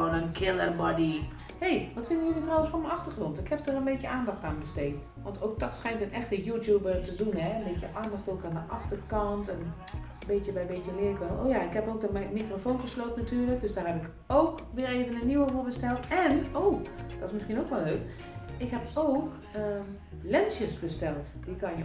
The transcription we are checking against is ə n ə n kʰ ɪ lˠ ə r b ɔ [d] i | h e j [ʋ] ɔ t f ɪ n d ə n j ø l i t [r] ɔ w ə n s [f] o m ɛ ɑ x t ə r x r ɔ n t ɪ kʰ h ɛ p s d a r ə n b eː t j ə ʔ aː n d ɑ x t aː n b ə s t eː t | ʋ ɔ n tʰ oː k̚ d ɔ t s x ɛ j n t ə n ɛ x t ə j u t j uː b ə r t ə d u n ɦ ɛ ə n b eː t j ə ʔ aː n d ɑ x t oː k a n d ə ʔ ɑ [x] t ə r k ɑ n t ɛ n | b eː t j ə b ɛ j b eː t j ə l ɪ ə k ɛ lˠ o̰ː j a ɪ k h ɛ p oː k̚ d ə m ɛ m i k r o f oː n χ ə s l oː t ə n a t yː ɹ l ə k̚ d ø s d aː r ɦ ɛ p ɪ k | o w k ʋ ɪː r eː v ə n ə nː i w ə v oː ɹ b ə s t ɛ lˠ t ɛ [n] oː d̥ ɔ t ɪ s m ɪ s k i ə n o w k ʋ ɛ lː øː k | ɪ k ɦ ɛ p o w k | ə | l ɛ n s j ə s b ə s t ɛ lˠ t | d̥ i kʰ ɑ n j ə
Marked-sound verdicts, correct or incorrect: correct, correct, correct, correct, correct, correct

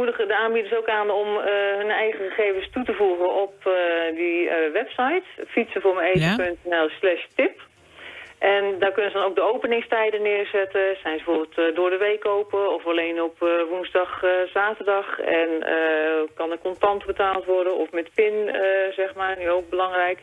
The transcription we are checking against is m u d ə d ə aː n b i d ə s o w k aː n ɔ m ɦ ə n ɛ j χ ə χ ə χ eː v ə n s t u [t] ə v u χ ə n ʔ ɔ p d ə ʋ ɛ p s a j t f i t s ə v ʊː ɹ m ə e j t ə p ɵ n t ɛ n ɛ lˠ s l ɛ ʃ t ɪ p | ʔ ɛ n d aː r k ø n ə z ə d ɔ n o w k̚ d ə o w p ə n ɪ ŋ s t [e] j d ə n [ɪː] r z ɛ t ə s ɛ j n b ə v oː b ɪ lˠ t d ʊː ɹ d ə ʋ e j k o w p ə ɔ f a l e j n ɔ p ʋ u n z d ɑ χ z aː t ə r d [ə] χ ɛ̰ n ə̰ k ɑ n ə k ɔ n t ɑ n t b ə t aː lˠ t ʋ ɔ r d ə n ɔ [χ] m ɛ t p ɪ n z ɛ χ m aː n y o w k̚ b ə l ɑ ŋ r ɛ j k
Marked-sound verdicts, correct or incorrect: correct, incorrect: ɛ, correct, incorrect: ɑ, incorrect: f

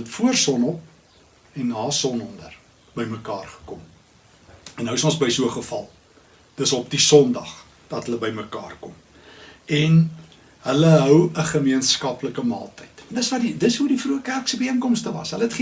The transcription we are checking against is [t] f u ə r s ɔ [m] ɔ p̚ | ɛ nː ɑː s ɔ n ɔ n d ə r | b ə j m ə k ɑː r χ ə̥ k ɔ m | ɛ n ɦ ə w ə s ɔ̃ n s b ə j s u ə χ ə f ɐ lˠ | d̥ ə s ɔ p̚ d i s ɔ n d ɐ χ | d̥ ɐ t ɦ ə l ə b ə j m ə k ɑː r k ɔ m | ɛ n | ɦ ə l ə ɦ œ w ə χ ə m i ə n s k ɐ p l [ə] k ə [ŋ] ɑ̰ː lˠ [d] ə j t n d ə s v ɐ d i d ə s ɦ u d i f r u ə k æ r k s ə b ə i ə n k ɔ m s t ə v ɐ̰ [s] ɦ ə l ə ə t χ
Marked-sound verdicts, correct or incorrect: correct, incorrect: n, correct, incorrect: m, incorrect: t, correct

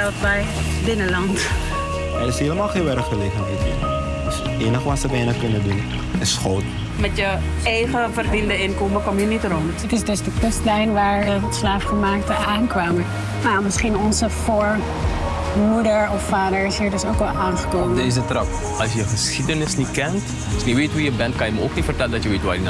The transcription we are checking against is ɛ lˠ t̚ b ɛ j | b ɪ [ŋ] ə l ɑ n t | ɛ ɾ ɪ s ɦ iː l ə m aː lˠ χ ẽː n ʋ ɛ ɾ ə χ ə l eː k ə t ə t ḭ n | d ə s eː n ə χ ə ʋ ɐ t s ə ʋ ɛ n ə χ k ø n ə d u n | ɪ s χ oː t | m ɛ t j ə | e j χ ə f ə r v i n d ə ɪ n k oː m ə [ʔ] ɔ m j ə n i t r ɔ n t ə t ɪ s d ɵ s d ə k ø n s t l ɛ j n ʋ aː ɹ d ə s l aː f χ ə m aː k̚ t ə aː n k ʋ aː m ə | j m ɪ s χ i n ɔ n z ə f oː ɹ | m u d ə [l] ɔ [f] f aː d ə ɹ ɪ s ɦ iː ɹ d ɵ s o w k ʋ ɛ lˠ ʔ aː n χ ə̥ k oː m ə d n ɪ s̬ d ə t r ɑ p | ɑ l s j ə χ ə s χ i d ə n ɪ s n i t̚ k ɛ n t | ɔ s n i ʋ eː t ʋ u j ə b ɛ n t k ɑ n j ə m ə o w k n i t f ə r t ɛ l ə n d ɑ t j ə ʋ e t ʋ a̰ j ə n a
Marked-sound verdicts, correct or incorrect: incorrect: n, incorrect: k, incorrect: ɹ, correct

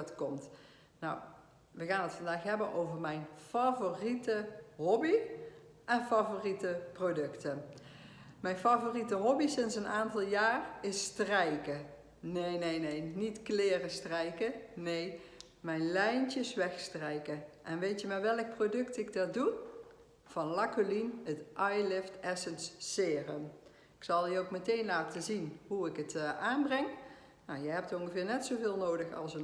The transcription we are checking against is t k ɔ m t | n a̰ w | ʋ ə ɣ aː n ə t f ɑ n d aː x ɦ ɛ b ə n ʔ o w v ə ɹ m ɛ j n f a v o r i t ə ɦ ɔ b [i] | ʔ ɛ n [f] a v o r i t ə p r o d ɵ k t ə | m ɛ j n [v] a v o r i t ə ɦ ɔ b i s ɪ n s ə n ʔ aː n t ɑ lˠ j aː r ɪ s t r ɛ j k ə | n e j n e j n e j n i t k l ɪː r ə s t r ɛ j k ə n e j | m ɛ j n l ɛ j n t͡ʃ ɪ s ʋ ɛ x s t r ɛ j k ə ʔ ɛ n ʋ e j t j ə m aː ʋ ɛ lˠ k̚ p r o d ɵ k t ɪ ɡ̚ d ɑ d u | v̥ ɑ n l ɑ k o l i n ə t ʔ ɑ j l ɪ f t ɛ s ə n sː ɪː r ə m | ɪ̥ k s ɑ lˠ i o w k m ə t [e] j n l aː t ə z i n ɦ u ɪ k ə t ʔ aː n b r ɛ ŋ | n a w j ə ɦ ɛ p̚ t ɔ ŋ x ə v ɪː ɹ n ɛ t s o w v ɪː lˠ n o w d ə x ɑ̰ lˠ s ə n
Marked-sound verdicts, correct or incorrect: correct, correct, incorrect: f, correct

